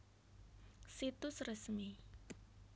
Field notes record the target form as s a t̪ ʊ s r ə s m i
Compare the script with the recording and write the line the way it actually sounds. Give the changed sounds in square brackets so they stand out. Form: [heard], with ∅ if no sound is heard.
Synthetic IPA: s [i] t̪ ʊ s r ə s m i